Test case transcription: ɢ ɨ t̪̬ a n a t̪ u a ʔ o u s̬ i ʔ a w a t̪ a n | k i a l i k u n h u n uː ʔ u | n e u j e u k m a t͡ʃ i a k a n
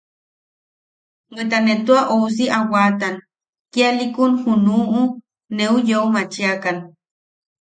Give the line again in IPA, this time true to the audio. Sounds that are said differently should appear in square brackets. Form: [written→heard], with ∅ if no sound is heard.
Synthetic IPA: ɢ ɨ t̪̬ a n [a→e] t̪ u a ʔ o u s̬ i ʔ a w a t̪ a n | k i a l i k u n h u n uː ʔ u | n e u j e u [k→∅] m a t͡ʃ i a k a n